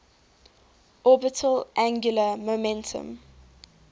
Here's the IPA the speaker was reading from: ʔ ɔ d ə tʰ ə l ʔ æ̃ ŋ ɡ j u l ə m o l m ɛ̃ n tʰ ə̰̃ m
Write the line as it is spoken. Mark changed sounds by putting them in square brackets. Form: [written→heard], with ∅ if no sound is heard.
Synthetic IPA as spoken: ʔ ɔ [d→b] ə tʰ ə l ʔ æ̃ ŋ ɡ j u l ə m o [l→∅] m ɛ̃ n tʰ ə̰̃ m

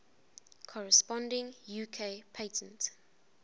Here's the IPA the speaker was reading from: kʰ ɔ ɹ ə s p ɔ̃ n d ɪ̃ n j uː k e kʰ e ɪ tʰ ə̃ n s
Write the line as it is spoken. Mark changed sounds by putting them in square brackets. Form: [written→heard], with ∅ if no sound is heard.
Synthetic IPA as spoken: kʰ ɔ ɹ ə s p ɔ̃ n d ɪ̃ [n→ŋ] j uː [k→kʰ] e [kʰ→pʰ] e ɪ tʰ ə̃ n [s→t]

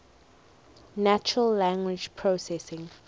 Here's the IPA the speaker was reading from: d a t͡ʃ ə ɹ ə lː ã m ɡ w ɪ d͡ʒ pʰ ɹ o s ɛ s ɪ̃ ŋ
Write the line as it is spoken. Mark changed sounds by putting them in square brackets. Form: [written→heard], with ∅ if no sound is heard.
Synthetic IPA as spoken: [d→n] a t͡ʃ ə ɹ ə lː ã [m→ŋ] ɡ w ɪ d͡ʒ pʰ ɹ o s ɛ s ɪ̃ ŋ

